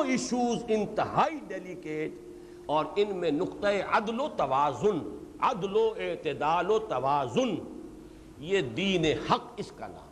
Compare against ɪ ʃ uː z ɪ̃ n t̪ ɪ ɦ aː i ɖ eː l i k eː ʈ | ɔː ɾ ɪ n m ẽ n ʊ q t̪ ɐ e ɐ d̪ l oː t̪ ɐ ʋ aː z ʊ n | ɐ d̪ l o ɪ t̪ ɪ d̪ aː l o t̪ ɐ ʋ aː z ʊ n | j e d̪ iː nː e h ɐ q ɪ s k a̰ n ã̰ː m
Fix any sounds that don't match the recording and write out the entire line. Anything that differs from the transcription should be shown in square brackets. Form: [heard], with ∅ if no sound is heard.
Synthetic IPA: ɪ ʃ uː z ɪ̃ n t̪ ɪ ɦ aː i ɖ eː l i k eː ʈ | ɔː ɾ ɪ n m ẽ n ʊ q t̪ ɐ e ɐ d̪ l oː t̪ ɐ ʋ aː z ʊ n | ɐ d̪ l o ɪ t̪ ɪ d̪ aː l o t̪ ɐ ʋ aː z ʊ n | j e d̪ iː [n] e h ɐ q ɪ s k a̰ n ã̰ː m